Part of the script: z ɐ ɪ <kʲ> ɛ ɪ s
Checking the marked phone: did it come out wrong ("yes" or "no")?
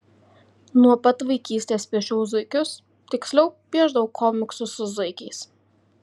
no